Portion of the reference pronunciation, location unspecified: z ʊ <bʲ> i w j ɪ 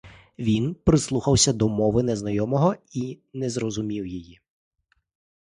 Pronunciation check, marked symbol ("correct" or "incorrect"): incorrect